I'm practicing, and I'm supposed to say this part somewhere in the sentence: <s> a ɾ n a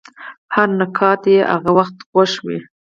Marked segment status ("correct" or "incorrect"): incorrect